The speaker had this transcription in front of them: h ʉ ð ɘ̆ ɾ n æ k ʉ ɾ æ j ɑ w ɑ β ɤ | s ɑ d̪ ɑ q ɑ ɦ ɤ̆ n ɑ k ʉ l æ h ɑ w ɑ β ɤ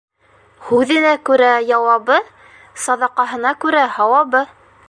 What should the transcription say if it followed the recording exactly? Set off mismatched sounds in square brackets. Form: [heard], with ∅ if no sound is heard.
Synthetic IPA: h ʉ ð ɘ̆ [∅] n æ k ʉ ɾ æ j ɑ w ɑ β ɤ | s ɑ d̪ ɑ q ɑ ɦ ɤ̆ n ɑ k ʉ [ɾ] æ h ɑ w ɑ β ɤ

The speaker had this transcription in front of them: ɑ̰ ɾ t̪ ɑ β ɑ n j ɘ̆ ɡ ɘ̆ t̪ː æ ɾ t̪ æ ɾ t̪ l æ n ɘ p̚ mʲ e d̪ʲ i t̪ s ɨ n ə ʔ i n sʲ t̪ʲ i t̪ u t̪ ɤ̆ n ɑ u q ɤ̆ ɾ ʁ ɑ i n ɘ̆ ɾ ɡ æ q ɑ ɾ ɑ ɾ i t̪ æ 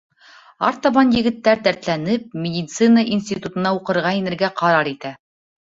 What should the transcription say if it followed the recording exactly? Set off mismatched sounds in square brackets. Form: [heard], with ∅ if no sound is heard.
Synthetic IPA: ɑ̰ ɾ t̪ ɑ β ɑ n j ɘ̆ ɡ ɘ̆ t̪ː æ ɾ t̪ æ ɾ t̪ l æ n ɘ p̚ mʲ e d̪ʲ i t̪ s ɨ n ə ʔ i n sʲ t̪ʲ i t̪ u t̪ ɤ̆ n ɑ u q ɤ̆ ɾ ʁ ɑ i n ɘ̆ ɾ ɡ æ q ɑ ɾ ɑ ɾ i t̪ æ

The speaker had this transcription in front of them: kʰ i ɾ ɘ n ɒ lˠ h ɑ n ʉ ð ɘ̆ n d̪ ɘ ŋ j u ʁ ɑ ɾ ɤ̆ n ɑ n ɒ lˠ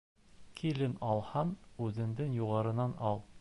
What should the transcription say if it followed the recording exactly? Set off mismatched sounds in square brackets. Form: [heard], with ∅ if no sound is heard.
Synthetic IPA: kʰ i [l] ɘ n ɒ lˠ h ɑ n ʉ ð ɘ̆ n d̪ ɘ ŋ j u ʁ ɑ ɾ ɤ̆ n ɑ n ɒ lˠ

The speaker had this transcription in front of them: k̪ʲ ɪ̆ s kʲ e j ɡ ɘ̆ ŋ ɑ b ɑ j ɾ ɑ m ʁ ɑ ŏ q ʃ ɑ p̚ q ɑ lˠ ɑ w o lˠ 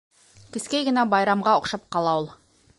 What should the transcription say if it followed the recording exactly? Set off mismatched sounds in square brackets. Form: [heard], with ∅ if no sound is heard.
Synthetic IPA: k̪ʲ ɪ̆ s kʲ e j ɡ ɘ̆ [n] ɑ b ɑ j ɾ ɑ m ʁ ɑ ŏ q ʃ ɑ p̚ q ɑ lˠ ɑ w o lˠ

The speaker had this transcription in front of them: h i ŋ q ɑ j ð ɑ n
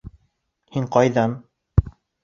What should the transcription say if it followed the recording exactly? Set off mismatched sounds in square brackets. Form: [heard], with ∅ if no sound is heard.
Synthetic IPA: h i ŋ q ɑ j ð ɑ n

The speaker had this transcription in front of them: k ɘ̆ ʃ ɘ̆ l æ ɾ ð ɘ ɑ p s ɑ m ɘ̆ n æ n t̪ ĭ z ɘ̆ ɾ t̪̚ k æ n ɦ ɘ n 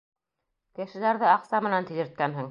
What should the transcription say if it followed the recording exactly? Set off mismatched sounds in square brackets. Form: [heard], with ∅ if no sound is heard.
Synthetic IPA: k ɘ̆ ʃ ɘ̆ l æ ɾ ð ɘ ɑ [q] s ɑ m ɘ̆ n æ n t̪ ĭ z ɘ̆ ɾ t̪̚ k æ n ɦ ɘ [ŋ]

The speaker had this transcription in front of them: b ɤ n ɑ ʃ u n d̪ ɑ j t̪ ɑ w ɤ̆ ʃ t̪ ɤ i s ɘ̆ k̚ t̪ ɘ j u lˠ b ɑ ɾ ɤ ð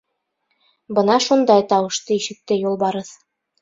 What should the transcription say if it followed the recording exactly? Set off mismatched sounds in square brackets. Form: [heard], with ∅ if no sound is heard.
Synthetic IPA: b ɤ n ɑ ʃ u n d̪ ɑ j t̪ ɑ w ɤ̆ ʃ t̪ ɤ i [ʃ] ɘ̆ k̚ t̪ ɘ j u lˠ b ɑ ɾ ɤ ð

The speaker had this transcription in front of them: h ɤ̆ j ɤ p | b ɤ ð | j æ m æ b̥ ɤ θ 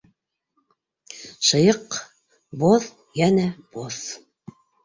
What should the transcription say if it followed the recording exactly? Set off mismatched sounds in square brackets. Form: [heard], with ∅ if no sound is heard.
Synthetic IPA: [ʃ] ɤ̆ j ɤ [q] | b [o] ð | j æ [n] æ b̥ [o] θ

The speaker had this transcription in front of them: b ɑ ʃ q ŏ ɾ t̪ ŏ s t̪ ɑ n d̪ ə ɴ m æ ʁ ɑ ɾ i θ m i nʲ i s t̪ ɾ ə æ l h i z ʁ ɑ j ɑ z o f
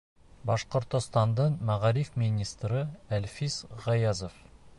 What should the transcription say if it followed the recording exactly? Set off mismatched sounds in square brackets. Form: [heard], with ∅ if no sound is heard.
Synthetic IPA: b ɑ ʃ q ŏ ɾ t̪ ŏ s t̪ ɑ n d̪ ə ɴ m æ ʁ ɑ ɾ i [f] m i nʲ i s t̪ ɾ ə æ l [f] i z ʁ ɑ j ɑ z o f

